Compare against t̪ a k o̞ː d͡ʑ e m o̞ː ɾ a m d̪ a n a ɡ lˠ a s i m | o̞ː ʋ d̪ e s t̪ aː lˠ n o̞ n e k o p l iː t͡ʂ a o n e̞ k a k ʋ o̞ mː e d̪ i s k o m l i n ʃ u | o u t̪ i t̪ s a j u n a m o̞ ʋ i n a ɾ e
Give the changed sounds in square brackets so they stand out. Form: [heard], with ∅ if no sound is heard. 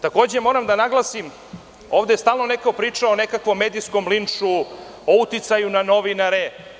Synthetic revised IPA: t̪ a k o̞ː d͡ʑ e m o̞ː ɾ a m d̪ a n a ɡ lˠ a s i m | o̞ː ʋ d̪ e s t̪ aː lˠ n o̞ n e k o p [ɾ] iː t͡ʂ a o n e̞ k a k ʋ o̞ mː e d̪ i s k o m l i n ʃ u | o u t̪ i t̪ s a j u n a [n] o̞ ʋ i n a ɾ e